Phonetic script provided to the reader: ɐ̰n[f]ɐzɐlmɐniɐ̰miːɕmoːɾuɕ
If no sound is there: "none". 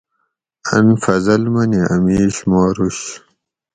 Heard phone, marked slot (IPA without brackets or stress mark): f